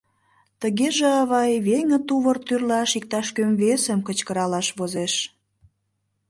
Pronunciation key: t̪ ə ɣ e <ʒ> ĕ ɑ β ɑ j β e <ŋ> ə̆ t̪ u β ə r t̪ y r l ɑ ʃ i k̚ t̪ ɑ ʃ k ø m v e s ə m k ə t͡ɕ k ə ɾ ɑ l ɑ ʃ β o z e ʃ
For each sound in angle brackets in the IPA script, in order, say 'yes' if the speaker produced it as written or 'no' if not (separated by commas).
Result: yes, yes